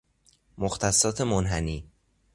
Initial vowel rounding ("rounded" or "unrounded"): rounded